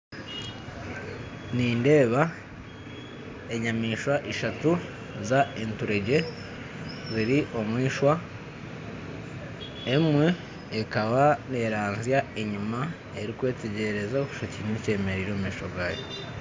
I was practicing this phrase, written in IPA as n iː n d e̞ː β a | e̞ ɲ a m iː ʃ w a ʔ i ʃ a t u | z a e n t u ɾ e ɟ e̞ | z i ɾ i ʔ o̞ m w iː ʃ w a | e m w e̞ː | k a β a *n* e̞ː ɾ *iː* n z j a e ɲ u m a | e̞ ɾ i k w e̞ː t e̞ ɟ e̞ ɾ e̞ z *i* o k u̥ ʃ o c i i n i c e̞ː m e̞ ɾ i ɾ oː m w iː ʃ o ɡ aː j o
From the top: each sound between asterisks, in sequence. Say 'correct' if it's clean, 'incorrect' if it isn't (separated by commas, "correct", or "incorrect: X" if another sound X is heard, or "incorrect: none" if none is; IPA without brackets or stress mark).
correct, incorrect: aː, incorrect: a